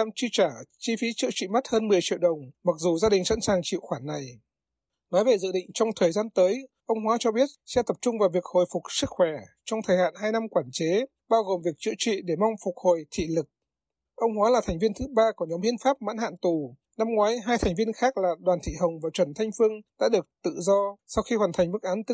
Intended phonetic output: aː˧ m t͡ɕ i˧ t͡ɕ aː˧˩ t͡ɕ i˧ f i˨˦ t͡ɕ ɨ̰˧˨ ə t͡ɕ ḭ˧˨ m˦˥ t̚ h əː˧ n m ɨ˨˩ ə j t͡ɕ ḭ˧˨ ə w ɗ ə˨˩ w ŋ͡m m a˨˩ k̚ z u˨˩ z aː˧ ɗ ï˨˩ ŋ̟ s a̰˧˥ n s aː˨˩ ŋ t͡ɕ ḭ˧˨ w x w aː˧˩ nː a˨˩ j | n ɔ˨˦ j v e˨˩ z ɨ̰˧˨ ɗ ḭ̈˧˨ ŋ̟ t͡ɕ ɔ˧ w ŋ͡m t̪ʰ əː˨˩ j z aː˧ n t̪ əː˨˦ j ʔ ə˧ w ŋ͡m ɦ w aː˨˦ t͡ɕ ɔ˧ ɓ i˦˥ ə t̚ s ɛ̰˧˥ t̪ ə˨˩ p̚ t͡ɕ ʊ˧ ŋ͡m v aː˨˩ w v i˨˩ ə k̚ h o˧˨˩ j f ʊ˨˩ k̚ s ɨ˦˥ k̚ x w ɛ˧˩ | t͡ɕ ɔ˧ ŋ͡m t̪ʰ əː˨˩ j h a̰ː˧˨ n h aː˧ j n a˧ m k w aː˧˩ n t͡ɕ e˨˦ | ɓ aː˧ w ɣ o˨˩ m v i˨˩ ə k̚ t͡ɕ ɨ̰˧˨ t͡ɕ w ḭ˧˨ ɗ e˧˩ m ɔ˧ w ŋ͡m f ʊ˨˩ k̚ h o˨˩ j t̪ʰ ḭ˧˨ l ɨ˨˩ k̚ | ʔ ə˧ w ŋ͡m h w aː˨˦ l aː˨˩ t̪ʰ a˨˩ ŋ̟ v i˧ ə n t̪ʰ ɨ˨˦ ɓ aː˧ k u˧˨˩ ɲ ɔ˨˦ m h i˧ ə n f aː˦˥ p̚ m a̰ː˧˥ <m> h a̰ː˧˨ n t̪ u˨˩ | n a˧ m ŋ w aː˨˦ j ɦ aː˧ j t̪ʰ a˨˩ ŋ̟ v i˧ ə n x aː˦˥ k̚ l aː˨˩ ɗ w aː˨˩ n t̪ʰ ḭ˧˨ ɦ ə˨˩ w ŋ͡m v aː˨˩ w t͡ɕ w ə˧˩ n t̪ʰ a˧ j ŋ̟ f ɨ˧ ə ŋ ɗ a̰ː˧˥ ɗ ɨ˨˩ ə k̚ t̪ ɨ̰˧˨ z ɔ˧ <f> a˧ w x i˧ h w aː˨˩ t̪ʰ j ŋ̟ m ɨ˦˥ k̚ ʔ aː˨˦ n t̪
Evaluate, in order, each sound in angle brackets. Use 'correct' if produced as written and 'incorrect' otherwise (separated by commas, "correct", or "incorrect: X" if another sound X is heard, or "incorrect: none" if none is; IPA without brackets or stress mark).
incorrect: n, incorrect: s